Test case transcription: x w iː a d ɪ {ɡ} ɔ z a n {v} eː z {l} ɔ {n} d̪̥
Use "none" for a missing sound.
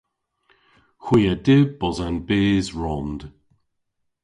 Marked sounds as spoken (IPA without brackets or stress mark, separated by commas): b, b, ɹ, n